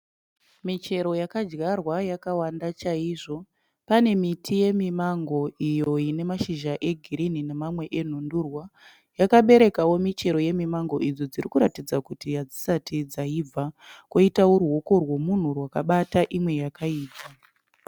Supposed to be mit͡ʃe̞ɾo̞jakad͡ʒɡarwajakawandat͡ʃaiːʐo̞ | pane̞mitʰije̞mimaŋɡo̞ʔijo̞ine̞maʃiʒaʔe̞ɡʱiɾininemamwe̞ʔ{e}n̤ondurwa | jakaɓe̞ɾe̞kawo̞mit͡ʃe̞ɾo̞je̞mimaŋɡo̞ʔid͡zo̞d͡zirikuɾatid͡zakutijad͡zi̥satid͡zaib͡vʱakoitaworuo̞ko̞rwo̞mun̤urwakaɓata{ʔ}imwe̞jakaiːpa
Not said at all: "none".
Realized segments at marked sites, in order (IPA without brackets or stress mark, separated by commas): e, ʔ